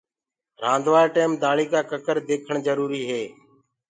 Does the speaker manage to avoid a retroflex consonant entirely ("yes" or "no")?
no